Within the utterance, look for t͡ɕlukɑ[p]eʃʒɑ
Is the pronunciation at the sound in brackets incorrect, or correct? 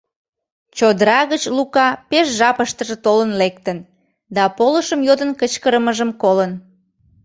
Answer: correct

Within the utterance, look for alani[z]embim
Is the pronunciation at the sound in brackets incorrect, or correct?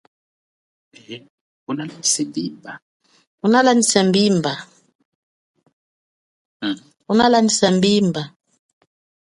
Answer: incorrect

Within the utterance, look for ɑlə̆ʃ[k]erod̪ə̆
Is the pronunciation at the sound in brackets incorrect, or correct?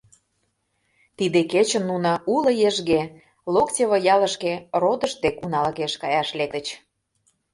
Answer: correct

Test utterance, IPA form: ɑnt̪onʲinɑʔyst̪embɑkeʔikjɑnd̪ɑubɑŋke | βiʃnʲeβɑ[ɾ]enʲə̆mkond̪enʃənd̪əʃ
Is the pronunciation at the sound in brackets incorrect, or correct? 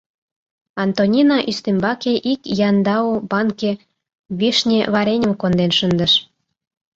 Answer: correct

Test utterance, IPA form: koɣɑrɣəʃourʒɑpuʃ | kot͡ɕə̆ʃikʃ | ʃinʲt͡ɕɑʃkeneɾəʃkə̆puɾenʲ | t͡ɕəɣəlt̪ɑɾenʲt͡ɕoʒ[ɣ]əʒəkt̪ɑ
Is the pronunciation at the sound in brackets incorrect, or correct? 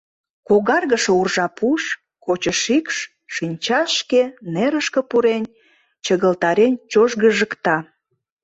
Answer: correct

